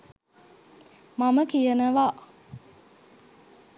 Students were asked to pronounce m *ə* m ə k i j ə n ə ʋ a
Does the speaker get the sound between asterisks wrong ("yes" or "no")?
yes